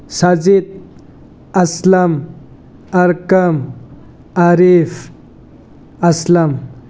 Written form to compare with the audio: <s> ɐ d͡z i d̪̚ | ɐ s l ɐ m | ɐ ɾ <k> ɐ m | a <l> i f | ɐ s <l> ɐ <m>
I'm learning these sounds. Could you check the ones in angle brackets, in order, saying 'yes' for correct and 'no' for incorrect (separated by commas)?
yes, yes, no, yes, yes